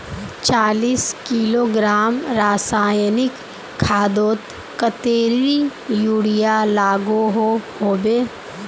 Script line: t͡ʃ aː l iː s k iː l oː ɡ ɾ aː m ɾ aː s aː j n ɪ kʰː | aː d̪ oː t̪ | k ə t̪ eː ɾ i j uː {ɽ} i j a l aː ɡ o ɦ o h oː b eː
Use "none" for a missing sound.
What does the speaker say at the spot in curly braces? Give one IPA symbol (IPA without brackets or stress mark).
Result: ɽ